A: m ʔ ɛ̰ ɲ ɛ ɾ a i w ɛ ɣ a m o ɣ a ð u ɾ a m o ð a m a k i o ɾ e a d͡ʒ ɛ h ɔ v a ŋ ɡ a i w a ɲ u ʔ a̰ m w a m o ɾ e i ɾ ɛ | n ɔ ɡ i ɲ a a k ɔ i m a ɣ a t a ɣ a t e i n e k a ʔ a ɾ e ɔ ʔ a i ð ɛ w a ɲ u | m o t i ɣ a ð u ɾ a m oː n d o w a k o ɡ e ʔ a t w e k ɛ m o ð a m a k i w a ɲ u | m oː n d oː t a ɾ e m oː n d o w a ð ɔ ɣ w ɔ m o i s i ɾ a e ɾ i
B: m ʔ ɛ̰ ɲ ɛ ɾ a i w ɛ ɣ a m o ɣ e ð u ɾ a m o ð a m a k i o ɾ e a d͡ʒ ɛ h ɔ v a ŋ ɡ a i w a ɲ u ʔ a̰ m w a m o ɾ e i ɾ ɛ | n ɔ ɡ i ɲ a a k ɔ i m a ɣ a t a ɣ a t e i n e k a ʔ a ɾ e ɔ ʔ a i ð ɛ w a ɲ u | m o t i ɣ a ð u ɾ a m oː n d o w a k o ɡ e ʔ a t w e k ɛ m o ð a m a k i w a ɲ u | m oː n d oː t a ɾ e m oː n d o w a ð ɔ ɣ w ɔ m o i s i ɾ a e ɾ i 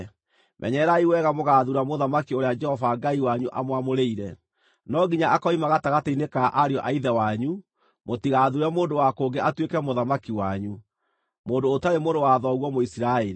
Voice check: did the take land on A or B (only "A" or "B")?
A